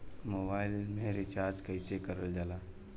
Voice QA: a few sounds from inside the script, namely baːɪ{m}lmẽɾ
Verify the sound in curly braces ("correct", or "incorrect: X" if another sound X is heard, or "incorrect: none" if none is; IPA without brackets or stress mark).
incorrect: none